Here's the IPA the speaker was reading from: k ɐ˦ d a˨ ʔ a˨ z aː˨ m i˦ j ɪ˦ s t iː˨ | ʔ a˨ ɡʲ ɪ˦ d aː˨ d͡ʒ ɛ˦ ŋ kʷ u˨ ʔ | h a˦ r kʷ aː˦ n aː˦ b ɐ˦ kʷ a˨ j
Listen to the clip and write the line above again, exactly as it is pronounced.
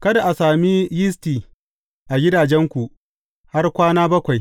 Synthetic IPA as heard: k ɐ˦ d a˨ ʔ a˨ s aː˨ m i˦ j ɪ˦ s t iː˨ | ʔ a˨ ɡʲ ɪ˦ d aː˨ d͡ʒ ɛ˦ ŋ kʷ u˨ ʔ | h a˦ r kʷ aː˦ n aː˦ b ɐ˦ kʷ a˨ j